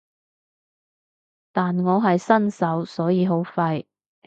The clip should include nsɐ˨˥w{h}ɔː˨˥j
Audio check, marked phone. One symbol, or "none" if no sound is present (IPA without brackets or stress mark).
s